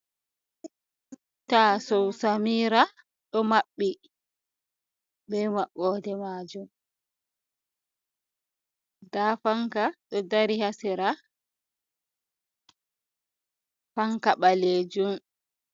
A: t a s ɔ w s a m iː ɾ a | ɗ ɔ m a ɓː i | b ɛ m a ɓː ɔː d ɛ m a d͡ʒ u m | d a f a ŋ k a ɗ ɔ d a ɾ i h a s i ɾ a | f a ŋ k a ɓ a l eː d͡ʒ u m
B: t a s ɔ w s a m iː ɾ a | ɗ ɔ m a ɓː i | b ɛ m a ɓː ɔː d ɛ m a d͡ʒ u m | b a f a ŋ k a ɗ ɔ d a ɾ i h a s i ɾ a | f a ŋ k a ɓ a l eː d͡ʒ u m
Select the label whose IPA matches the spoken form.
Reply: A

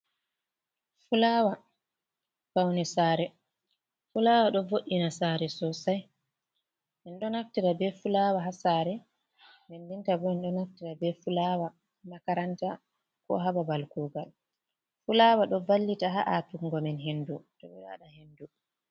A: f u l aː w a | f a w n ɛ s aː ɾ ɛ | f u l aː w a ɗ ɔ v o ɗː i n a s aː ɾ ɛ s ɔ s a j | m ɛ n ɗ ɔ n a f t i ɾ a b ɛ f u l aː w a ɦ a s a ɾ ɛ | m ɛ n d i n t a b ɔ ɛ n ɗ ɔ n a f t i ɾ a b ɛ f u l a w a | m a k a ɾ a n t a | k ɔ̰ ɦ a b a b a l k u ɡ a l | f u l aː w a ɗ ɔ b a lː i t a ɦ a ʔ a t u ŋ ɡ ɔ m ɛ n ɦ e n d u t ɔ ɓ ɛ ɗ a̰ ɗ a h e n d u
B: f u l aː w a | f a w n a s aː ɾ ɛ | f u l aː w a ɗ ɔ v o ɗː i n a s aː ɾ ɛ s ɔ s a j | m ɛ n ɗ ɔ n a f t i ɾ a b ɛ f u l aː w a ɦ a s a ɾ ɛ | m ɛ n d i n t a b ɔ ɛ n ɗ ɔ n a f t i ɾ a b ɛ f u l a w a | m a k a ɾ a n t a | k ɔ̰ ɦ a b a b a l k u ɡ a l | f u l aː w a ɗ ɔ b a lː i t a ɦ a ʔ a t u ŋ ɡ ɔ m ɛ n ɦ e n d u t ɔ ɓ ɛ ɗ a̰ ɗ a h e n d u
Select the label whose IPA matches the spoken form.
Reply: A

